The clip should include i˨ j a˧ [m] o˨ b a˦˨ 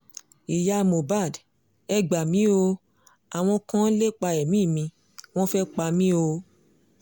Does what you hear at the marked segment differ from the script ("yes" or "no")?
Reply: no